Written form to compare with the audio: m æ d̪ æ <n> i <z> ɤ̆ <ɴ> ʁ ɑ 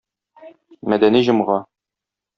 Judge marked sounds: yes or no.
yes, no, no

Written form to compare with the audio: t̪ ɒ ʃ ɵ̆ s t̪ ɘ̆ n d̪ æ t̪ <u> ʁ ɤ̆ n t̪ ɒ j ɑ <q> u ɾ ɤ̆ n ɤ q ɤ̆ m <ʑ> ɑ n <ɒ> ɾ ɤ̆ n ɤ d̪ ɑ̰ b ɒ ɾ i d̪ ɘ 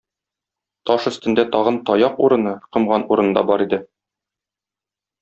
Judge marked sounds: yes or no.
no, yes, no, no

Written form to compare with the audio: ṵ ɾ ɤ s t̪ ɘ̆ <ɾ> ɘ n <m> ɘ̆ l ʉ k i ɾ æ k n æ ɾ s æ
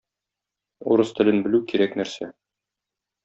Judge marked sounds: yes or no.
no, no

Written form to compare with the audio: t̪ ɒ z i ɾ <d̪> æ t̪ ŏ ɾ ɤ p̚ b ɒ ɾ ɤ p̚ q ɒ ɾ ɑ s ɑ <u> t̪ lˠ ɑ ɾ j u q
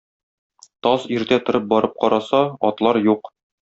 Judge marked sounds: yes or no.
no, no

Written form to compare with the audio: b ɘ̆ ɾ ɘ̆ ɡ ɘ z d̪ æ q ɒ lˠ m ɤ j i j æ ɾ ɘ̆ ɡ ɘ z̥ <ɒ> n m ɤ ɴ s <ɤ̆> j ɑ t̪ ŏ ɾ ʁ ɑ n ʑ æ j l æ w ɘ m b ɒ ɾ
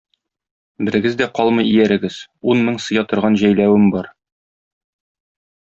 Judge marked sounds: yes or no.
no, yes

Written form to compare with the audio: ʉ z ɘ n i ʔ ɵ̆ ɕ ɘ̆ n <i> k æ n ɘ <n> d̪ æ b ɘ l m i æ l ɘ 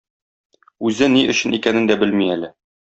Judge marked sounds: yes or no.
yes, yes

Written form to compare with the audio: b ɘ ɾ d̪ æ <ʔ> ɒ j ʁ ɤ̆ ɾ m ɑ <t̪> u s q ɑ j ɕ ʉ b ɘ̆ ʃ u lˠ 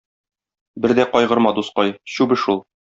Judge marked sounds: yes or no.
no, no

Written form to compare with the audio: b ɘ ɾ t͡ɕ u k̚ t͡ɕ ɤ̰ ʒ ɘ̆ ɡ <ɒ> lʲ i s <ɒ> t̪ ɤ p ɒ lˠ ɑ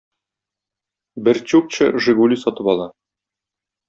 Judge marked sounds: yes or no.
no, yes

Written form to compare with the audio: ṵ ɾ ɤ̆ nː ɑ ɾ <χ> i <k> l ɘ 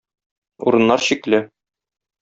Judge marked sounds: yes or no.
no, yes

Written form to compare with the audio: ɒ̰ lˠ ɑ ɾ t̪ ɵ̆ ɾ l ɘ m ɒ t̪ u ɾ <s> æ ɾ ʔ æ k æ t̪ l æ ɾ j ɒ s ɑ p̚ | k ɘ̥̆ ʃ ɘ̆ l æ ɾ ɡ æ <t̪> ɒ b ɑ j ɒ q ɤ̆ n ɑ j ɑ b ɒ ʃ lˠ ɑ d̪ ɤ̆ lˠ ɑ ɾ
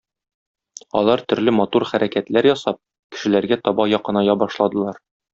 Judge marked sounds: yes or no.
no, yes

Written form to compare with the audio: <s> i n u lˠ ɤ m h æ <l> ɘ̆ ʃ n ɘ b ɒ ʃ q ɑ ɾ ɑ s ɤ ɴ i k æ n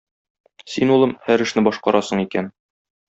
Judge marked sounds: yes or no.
yes, no

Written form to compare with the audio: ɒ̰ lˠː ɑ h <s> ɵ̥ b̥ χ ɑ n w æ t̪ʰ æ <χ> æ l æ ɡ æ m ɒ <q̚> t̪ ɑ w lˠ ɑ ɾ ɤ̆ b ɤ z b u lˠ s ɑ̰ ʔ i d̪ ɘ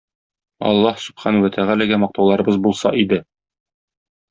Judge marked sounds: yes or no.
yes, no, yes

